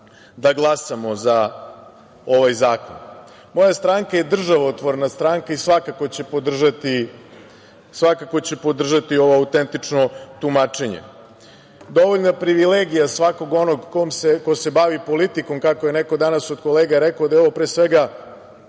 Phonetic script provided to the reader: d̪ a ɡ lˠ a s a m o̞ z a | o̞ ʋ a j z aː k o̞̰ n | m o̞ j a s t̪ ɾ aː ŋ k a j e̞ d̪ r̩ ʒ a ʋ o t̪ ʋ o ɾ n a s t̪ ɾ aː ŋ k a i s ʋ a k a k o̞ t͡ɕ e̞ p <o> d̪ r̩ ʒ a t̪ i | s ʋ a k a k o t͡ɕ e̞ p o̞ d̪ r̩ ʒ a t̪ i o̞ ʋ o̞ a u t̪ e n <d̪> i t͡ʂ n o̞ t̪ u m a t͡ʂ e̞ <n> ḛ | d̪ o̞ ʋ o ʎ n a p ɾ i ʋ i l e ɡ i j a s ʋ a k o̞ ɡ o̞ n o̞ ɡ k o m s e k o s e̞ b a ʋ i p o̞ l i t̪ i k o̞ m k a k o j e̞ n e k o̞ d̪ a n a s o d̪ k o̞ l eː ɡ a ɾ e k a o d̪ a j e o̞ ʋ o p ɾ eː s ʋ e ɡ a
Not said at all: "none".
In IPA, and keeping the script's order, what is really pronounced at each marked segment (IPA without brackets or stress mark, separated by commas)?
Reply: o, t̪, ɲ